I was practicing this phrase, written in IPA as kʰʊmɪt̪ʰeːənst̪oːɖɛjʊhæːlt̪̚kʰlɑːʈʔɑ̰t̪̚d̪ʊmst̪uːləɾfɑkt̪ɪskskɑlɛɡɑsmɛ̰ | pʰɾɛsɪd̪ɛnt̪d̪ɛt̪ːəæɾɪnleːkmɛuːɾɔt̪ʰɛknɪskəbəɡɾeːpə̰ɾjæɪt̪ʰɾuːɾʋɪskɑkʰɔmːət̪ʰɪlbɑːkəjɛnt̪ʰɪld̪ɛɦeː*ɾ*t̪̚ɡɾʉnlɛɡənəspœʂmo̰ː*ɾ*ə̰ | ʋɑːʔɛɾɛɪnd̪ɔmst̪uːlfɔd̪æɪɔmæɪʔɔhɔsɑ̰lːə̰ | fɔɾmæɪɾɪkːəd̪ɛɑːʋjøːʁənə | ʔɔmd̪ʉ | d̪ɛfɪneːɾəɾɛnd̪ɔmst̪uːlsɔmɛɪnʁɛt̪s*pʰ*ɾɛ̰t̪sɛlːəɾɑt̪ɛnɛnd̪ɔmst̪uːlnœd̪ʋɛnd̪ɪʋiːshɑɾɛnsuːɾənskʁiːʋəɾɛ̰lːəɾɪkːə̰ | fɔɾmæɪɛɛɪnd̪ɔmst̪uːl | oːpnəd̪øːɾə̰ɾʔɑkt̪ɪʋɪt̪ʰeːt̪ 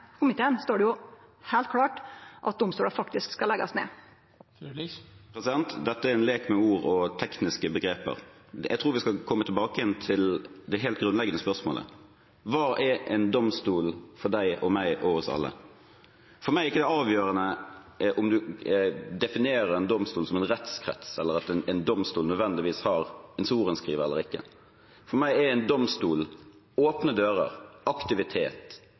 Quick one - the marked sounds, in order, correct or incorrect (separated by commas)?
incorrect, incorrect, incorrect